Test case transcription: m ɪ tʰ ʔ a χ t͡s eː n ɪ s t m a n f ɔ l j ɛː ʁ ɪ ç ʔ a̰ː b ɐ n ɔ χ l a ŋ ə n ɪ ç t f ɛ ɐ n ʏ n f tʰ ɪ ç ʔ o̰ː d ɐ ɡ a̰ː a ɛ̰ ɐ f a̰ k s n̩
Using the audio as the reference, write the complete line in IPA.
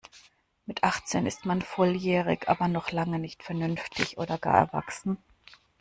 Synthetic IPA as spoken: m ɪ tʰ ʔ a χ t͡s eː n ɪ s t m a n f ɔ l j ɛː ʁ ɪ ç ʔ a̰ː b ɐ n ɔ χ l a ŋ ə n ɪ ç t f ɛ ɐ n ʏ n f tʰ ɪ ç ʔ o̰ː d ɐ ɡ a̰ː ɐ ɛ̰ ɐ v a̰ k s n̩